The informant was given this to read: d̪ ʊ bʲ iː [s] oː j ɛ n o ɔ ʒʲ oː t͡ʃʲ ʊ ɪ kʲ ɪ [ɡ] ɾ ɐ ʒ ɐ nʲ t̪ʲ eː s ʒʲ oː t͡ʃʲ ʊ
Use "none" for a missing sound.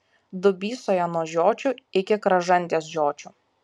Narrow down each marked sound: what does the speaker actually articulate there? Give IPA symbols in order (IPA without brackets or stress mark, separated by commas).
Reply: s, k